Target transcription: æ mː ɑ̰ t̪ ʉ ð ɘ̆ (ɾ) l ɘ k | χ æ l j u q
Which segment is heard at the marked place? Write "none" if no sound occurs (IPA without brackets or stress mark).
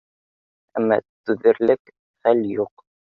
ɾ